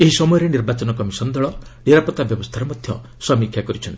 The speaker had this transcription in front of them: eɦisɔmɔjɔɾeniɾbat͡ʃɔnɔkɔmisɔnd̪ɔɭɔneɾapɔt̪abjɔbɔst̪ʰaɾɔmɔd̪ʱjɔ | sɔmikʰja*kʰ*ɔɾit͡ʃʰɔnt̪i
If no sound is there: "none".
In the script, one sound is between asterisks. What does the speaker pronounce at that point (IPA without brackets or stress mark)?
k